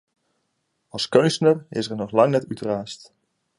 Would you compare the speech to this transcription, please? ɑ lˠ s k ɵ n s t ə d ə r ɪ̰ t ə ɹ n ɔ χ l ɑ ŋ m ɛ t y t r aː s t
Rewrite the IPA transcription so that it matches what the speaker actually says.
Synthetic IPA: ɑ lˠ s k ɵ n s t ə n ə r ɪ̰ s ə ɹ n ɔ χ l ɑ ŋ n ɛ t y t r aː s t